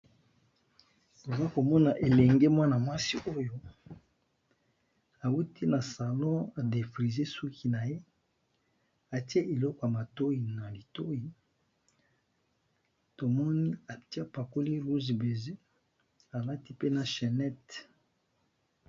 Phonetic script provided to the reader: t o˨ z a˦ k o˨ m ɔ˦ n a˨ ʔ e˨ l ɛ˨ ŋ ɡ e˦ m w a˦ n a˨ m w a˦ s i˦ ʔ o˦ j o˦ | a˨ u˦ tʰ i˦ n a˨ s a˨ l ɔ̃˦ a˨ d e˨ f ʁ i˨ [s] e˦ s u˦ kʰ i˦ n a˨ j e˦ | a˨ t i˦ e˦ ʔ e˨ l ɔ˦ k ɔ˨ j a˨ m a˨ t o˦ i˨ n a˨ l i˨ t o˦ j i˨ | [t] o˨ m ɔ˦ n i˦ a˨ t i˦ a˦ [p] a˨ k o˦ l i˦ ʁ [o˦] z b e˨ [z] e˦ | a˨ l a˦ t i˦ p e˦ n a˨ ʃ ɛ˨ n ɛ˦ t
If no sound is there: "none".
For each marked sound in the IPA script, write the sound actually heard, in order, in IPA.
z, t, p, u˦, z

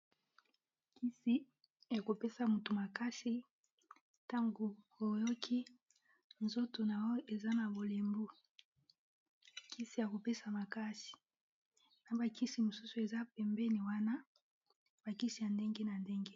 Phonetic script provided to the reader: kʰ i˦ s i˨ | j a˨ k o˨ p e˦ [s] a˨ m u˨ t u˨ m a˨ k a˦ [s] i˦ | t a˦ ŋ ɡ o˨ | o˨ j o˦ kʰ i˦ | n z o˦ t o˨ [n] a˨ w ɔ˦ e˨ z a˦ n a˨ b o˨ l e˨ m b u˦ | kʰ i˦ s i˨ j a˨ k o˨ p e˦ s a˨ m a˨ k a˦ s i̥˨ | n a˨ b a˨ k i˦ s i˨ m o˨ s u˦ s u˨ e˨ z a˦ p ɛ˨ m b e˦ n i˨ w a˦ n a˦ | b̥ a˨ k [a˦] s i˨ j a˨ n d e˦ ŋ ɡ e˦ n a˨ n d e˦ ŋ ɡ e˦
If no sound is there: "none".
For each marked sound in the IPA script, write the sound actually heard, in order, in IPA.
s, s, n, i˦

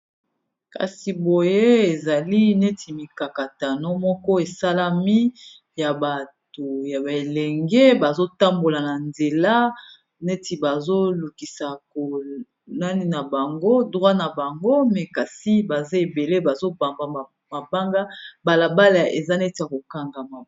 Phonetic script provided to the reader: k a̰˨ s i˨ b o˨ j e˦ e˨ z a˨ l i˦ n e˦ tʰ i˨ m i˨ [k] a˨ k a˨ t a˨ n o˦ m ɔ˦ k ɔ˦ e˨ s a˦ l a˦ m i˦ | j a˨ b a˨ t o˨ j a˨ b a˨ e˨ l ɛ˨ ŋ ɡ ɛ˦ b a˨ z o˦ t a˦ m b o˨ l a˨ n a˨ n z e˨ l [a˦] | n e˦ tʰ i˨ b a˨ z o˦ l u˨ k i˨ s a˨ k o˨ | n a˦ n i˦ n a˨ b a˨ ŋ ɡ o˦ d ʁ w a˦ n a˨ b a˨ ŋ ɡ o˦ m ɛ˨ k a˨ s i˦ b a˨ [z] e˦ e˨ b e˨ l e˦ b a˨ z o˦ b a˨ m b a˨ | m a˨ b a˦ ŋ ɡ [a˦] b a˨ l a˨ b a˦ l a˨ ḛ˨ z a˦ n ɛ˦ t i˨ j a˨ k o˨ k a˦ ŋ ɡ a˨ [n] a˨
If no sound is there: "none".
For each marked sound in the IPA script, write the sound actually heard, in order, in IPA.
k, a˦, z, a˦, m

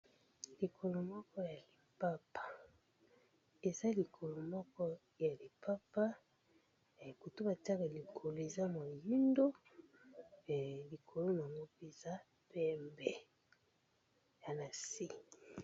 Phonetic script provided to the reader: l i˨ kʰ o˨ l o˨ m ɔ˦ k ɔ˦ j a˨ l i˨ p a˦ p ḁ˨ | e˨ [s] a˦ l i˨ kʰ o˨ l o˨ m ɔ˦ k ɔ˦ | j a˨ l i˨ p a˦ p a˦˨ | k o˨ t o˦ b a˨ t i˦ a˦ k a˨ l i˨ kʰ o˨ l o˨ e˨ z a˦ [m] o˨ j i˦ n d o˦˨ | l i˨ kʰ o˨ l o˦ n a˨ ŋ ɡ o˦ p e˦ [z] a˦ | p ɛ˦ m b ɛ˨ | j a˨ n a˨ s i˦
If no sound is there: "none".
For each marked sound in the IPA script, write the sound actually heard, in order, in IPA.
z, m, z

